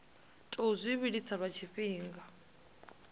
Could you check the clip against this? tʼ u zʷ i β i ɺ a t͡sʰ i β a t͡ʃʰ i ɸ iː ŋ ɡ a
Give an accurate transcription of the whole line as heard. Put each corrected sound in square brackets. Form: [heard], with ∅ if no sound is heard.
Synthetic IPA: tʼ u zʷ i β i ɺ [i] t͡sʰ [a] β a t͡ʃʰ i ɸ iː ŋ ɡ a